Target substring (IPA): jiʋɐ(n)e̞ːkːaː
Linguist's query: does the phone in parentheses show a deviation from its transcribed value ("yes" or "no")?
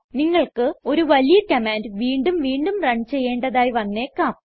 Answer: yes